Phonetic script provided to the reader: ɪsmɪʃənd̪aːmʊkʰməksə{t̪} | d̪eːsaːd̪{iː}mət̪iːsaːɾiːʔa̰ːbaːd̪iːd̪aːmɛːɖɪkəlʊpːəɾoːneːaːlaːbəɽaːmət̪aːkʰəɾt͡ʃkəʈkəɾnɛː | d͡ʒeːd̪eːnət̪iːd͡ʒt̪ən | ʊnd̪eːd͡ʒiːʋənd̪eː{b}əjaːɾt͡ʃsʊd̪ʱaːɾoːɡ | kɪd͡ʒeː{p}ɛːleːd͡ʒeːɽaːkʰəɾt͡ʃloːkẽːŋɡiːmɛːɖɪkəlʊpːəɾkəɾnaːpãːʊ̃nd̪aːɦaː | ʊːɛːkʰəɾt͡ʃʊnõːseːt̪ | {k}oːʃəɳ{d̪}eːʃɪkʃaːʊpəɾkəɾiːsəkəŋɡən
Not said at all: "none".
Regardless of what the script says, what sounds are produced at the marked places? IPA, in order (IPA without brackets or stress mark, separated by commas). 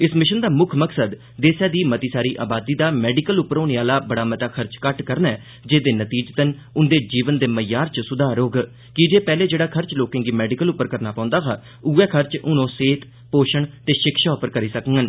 d̪, iː, m, p, p, t̪